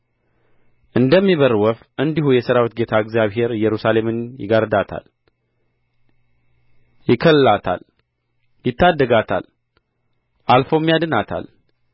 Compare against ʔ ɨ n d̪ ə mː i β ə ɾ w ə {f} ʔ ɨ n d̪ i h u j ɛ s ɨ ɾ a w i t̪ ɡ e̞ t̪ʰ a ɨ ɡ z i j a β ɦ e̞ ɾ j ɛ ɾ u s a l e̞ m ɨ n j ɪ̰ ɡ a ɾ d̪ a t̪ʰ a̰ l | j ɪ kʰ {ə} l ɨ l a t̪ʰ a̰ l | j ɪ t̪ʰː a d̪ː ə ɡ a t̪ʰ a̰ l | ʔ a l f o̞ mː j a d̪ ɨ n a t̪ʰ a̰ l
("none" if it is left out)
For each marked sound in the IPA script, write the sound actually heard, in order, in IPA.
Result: f, ə

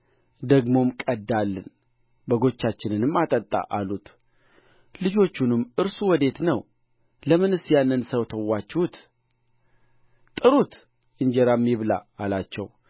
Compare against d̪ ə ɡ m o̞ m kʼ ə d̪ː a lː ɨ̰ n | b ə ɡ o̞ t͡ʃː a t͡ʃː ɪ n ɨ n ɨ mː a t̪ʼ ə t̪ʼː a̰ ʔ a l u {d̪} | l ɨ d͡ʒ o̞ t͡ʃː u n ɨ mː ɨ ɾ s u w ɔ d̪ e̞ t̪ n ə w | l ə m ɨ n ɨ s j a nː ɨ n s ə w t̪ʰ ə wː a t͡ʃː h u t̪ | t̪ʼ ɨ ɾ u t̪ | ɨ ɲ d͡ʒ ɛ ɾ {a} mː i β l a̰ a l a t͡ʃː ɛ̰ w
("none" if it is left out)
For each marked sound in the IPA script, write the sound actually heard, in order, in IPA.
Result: t̪, a

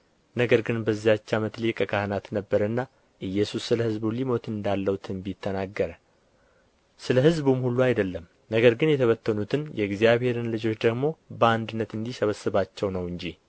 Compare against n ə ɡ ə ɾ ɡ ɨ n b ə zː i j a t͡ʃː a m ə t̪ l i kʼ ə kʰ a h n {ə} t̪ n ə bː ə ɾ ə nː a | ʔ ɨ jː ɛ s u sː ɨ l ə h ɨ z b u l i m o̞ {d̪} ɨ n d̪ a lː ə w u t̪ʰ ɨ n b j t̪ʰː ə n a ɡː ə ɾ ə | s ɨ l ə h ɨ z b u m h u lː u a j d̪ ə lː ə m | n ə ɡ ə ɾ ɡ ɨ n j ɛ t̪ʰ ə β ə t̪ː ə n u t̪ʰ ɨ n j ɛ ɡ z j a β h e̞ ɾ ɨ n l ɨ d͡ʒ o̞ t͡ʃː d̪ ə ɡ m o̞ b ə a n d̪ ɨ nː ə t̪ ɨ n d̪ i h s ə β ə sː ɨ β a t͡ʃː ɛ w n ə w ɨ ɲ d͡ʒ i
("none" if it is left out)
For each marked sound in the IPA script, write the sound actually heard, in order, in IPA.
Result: a, t̪

